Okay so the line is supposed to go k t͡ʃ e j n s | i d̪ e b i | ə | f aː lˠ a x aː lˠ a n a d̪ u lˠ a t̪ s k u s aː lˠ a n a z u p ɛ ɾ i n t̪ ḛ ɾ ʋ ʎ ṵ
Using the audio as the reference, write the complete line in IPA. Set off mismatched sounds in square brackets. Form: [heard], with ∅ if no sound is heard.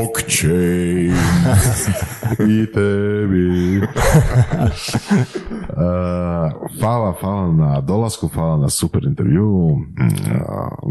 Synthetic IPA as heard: k t͡ʃ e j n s | i [t̪] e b i | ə | f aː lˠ a [f] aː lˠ a n a d̪ [o] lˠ a [∅] s k u [f] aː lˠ a n a [s] u p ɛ ɾ i n t̪ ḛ ɾ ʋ [j] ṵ